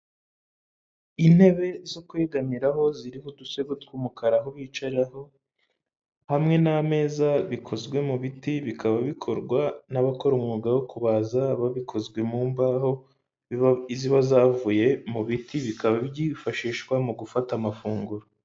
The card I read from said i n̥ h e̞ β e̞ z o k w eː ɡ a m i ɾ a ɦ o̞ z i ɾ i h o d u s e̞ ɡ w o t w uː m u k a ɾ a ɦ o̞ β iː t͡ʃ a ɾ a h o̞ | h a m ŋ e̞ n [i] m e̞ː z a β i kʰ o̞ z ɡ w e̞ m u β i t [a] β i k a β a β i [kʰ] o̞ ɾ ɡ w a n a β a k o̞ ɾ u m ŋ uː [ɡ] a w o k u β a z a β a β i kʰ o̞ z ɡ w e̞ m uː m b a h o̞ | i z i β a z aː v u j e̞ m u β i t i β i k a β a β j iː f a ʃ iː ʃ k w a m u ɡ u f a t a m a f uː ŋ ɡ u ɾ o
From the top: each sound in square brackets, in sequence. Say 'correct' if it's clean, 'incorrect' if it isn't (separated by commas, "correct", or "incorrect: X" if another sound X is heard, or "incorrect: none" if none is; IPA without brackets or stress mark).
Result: incorrect: a, incorrect: i, correct, correct